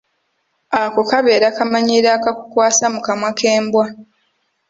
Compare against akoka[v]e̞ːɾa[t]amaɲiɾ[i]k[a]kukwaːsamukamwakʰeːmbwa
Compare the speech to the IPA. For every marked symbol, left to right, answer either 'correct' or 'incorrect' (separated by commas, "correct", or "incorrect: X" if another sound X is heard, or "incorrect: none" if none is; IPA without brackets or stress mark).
incorrect: β, incorrect: k, incorrect: a, correct